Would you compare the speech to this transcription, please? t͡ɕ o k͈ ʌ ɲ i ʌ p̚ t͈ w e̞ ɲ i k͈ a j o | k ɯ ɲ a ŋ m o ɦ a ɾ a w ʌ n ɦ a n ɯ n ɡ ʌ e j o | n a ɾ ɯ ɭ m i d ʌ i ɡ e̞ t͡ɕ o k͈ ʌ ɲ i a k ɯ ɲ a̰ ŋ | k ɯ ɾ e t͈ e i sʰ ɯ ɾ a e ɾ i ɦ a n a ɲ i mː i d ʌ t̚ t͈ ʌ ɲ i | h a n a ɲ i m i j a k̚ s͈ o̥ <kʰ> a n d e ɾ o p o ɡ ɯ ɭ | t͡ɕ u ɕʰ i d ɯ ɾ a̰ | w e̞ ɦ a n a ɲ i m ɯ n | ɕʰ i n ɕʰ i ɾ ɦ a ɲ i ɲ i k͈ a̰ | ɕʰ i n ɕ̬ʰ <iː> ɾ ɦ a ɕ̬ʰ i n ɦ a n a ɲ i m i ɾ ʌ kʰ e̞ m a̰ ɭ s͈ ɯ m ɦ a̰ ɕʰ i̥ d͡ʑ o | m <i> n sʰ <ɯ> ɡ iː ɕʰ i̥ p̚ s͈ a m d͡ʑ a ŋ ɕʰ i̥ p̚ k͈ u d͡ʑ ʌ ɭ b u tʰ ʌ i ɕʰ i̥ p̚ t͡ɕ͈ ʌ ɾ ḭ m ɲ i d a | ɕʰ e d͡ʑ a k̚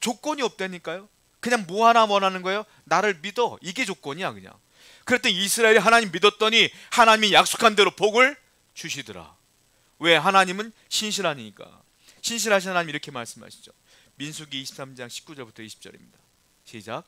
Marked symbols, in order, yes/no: yes, no, yes, no

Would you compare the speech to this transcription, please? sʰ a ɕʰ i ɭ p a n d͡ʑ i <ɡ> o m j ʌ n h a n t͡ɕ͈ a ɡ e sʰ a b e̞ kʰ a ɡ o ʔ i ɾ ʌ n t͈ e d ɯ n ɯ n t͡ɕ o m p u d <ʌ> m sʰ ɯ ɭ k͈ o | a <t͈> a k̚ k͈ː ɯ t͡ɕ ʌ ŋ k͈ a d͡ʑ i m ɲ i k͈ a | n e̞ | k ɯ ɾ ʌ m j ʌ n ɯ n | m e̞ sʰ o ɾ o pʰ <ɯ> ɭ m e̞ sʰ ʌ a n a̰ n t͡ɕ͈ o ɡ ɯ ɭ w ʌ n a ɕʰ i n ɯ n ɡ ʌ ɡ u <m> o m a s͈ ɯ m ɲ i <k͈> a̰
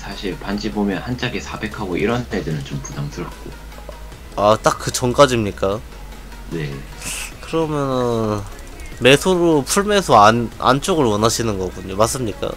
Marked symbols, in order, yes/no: no, no, yes, no, no, yes

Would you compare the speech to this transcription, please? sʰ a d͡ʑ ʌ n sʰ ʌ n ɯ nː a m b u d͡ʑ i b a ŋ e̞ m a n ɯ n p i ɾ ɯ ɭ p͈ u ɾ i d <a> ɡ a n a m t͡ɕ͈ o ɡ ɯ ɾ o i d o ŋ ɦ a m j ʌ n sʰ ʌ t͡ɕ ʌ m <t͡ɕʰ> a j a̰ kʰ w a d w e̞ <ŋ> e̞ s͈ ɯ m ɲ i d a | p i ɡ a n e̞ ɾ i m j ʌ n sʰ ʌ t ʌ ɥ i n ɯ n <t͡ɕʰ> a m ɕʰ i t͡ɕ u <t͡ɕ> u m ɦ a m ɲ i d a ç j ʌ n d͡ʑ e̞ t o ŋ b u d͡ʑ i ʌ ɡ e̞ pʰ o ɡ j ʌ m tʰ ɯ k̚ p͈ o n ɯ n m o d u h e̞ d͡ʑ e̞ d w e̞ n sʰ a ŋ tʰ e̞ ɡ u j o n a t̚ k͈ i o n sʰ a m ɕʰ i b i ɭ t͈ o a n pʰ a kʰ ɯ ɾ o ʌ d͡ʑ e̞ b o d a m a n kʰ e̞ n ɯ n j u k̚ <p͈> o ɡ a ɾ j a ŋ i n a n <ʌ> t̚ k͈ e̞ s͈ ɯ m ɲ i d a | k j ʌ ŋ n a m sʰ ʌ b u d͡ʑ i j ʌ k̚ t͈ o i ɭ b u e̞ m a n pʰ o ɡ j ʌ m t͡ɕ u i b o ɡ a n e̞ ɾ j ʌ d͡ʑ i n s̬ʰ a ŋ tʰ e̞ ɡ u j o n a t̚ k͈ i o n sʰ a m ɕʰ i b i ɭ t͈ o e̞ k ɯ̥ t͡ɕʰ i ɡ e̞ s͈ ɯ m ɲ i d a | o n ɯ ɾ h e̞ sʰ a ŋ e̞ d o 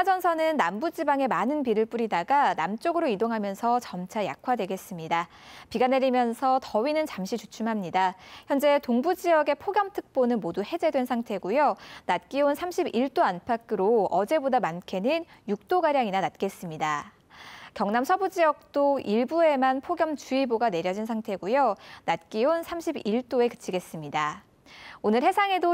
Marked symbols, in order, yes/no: yes, yes, no, no, no, no, no

